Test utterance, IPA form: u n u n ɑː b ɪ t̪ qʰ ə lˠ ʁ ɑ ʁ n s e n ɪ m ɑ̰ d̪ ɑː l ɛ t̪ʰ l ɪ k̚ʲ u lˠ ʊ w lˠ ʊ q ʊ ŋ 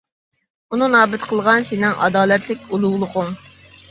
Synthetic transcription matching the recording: u n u n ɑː b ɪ t̪ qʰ ə lˠ ʁ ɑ n s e n ɪ ŋ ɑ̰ d̪ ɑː l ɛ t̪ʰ l ɪ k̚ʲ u lˠ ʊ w lˠ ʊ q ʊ ŋ